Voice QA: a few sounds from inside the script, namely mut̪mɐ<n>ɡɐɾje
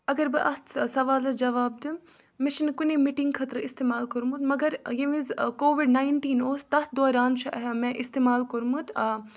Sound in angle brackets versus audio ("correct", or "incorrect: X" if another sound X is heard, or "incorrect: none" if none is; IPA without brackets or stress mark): incorrect: none